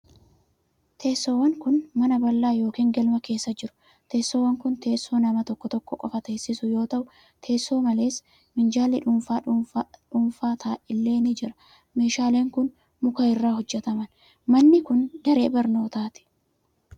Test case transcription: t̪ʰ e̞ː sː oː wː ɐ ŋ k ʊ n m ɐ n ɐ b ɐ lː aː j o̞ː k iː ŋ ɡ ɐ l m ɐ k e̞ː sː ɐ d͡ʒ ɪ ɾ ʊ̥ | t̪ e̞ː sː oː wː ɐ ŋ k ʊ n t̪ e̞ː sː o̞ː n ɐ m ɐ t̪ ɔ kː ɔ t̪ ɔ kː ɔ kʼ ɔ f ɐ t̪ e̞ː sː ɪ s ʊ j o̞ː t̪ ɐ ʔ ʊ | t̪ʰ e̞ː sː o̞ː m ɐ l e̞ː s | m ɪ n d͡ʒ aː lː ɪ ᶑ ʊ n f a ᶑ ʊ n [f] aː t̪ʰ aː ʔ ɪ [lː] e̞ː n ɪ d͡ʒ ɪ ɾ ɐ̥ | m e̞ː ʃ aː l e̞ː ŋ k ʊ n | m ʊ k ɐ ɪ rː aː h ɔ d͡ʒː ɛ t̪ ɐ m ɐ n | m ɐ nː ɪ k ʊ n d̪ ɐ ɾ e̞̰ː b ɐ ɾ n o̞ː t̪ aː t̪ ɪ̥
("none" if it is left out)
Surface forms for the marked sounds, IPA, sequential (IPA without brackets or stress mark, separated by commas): f, lː